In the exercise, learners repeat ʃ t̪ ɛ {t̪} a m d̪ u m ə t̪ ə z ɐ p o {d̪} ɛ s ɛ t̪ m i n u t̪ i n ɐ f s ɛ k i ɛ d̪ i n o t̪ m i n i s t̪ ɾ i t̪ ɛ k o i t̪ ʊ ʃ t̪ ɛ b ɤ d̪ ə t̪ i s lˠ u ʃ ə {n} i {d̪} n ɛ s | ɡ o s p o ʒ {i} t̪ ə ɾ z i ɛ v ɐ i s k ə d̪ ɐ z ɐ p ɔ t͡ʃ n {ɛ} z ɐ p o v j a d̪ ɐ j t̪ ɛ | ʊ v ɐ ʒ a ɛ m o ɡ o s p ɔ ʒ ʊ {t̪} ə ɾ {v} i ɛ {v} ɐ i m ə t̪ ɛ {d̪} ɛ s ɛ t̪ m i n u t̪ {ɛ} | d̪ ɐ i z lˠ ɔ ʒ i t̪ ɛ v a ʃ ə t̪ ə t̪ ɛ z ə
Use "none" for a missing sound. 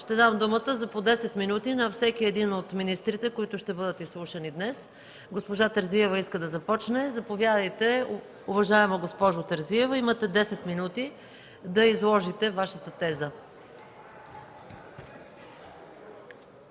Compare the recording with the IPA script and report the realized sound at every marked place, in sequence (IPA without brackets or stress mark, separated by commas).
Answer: d̪, d̪, n, d̪, a, ɛ, t̪, z, v, d̪, i